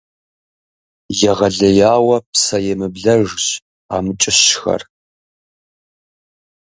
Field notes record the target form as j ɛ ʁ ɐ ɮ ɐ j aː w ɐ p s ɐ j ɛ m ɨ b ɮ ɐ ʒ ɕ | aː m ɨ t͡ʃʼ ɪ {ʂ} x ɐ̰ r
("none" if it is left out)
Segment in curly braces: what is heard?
ɕ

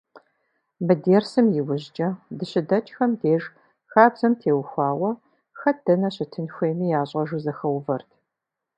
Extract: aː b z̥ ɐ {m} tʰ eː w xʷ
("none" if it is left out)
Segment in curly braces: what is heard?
m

